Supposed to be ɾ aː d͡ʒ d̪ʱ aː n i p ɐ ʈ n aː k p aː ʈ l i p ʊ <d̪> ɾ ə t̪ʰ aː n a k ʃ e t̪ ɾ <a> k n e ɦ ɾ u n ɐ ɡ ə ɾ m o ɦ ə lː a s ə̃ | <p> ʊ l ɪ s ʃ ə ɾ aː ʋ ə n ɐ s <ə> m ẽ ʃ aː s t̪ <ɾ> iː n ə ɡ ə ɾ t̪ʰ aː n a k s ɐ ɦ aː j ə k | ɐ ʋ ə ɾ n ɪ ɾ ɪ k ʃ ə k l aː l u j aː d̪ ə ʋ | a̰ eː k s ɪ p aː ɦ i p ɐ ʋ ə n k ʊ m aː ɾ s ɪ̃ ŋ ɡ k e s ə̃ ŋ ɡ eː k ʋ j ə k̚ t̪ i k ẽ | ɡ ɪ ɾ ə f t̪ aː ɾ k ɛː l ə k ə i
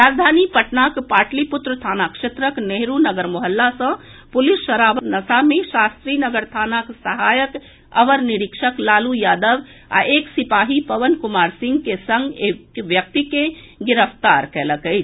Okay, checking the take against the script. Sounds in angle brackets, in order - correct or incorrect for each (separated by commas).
incorrect, incorrect, correct, incorrect, correct